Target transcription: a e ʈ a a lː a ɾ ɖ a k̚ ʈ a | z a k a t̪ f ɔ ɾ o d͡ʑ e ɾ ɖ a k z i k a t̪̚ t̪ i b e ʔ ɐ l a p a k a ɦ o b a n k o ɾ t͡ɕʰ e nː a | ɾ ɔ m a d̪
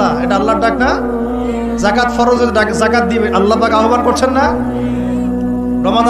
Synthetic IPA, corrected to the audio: a e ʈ a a lː a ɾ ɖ a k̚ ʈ a | z a k a t̪ f ɔ ɾ o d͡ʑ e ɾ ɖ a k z a k a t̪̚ d̪ i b e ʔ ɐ lː a p a k a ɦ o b a n k o ɾ t͡ɕʰ e nː a | ɾ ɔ m a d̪